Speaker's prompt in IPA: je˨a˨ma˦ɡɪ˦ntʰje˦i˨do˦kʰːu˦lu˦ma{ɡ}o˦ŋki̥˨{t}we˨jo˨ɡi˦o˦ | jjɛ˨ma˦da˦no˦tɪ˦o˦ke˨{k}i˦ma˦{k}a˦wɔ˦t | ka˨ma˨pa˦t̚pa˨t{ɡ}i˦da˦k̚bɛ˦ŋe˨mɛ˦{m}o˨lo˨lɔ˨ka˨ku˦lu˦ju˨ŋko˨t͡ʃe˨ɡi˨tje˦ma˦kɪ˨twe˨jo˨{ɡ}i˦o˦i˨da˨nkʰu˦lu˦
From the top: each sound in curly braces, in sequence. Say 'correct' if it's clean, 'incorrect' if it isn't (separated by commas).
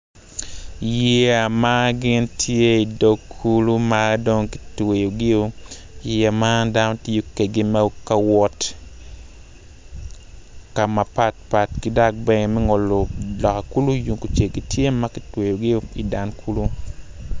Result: incorrect, correct, incorrect, correct, incorrect, incorrect, correct